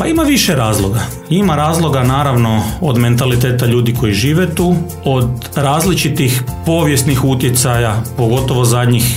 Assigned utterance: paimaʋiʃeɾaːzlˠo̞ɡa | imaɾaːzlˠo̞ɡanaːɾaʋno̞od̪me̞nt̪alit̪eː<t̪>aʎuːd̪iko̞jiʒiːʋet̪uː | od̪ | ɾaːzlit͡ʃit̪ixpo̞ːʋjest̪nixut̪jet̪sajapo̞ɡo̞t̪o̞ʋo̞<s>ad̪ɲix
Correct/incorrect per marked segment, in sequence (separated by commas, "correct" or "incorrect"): correct, incorrect